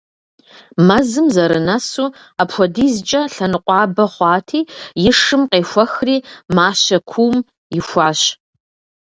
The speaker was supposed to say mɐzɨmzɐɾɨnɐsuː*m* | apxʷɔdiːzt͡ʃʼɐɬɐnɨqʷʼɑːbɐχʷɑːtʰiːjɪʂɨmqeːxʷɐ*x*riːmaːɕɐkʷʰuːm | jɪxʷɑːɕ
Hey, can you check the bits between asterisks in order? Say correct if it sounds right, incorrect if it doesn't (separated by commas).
incorrect, correct